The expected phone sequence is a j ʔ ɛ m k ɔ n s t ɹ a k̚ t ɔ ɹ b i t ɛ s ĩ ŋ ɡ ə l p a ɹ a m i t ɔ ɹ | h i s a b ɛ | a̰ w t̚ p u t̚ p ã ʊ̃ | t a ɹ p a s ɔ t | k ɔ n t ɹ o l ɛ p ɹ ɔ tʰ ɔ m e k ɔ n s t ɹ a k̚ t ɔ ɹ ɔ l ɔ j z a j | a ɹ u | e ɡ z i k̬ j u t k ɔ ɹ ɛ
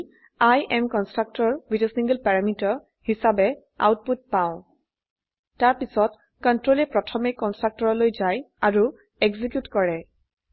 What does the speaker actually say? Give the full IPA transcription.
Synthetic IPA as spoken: a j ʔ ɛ m k ɔ n s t ɹ a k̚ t ɔ ɹ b i t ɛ s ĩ ŋ ɡ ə l p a ɹ a m i t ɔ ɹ | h i s a b ɛ | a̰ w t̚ p u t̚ p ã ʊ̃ | t a ɹ p i s ɔ t | k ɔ n t ɹ o l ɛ p ɹ ɔ tʰ ɔ m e k ɔ n s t ɹ a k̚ t ɔ ɹ ɔ l o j z a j | a ɹ u | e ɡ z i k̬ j u t k ɔ ɹ ɛ